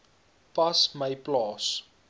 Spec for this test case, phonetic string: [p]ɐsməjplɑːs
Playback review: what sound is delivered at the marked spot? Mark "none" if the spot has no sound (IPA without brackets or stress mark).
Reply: p